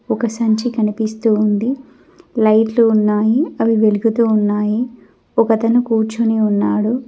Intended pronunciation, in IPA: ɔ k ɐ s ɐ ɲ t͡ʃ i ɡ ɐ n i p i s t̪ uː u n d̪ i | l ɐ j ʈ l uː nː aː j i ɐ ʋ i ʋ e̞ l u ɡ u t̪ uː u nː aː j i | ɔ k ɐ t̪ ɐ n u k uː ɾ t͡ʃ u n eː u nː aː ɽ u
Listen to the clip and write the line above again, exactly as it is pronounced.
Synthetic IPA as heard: ɔ k ɐ s ɐ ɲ t͡ʃ i k ɐ n i p i s t̪ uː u n d̪ i | l ɐ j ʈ l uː nː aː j i ɐ ʋ i ʋ e̞ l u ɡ u t̪ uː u nː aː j i | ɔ k ɐ t̪ ɐ n u k uː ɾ t͡ʃ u n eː u nː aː ɽ u